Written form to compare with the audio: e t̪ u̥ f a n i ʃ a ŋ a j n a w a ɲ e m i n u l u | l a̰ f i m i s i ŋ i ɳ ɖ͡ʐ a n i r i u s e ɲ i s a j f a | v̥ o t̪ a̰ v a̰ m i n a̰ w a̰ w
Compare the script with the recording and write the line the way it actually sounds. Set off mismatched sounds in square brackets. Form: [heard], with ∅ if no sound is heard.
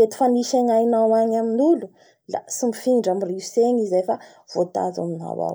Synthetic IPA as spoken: e t̪ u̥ f a n i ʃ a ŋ a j n a w a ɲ [a] m i n u l u | l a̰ [s] i m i [f] i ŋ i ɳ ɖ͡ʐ a [m] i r i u s e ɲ i [z] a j f a | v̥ o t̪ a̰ [z] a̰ m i n a̰ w a̰ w